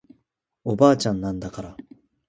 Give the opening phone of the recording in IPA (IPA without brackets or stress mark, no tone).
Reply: o